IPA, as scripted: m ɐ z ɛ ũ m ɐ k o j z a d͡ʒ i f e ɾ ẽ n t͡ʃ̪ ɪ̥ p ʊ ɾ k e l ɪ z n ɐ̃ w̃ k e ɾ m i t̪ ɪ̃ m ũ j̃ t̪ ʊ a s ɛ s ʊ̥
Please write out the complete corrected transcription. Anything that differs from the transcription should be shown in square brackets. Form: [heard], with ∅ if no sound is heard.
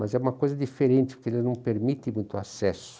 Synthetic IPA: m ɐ z ɛ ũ m ɐ k o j z [ɐ] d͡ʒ i f e ɾ ẽ n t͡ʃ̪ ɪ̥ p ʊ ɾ k e l ɪ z n ɐ̃ w̃ [p] e ɾ m i t̪ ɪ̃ m ũ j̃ t̪ ʊ a s ɛ s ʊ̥